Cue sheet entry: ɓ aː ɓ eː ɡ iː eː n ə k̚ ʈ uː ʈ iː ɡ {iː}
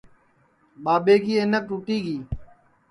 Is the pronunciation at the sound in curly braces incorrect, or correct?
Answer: correct